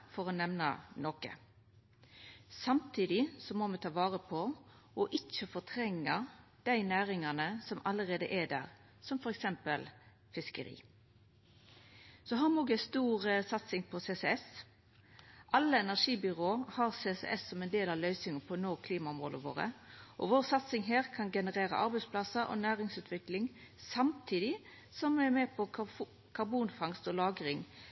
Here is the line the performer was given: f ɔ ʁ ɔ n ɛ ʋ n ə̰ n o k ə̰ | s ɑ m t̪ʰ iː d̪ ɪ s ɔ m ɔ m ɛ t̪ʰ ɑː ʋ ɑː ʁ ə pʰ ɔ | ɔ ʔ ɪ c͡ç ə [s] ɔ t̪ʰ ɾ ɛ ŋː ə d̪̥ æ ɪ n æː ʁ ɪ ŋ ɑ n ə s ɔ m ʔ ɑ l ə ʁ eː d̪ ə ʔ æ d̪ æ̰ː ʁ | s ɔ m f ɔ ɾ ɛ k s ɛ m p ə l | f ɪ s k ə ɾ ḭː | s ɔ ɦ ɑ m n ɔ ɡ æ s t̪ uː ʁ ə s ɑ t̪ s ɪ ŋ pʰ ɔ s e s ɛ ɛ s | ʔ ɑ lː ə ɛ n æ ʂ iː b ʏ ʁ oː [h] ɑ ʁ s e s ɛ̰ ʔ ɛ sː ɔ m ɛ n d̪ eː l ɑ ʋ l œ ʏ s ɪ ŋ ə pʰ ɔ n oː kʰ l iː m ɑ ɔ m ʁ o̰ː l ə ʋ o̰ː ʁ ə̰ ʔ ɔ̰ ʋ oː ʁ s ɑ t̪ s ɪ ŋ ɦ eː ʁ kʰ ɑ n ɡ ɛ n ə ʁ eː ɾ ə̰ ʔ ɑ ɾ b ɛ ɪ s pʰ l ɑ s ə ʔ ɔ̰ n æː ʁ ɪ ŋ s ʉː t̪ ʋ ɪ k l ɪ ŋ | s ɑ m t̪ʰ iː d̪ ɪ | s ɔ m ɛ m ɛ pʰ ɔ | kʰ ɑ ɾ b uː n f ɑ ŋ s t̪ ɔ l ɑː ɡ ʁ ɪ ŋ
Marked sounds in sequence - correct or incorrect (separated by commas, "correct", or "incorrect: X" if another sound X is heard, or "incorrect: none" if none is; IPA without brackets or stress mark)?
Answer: incorrect: f, correct